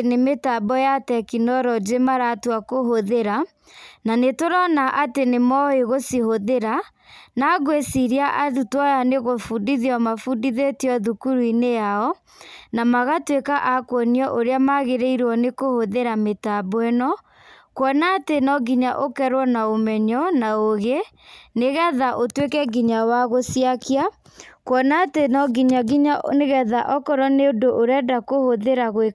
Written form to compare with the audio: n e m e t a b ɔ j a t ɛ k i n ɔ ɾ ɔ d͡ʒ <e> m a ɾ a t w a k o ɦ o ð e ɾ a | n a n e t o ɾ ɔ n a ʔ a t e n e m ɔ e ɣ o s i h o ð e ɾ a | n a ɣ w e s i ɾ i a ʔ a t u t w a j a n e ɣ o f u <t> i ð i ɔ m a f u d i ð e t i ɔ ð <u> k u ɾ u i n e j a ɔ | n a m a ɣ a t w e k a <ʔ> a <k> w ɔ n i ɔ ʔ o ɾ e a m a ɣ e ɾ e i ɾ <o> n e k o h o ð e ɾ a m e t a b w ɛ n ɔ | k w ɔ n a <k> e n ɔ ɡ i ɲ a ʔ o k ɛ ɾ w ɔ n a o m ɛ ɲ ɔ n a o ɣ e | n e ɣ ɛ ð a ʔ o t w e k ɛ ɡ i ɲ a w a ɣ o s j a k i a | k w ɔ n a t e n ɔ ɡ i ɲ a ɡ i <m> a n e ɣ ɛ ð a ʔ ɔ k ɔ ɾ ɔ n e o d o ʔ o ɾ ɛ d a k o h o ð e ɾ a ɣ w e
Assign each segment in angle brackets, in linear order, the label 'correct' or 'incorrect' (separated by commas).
correct, incorrect, correct, correct, correct, incorrect, incorrect, incorrect